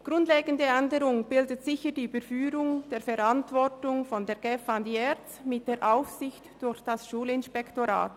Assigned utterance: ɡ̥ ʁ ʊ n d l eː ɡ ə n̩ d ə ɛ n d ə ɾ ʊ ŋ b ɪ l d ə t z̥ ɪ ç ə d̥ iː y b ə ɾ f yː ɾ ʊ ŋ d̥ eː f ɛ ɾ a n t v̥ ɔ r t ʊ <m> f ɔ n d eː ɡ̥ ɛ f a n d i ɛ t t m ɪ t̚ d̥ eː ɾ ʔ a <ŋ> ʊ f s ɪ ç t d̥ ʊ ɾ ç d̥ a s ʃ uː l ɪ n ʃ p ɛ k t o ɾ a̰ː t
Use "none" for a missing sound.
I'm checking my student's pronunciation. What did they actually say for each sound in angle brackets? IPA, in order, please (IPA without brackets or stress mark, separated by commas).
ŋ, none